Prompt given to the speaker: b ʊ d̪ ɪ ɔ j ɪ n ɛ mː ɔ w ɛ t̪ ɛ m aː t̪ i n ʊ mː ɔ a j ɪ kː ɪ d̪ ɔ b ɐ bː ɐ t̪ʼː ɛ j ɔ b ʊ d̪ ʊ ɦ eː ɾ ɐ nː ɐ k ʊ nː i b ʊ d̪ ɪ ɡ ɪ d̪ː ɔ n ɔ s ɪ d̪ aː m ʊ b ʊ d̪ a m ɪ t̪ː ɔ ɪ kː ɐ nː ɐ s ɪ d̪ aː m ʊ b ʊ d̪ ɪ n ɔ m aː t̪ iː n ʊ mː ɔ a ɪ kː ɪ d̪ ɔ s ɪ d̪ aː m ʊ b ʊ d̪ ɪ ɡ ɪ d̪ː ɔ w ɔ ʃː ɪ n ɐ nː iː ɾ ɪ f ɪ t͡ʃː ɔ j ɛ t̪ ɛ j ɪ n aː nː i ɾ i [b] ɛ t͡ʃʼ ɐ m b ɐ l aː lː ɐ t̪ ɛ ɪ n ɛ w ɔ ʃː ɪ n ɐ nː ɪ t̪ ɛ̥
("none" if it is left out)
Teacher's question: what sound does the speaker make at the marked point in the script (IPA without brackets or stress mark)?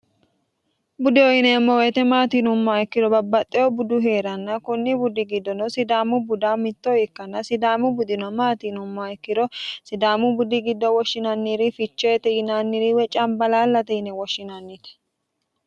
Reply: w